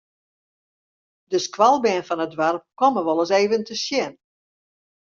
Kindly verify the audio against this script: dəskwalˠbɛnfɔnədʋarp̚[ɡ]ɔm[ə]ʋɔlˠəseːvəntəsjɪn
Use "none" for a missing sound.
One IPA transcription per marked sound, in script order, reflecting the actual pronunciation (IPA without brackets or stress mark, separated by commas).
k, ə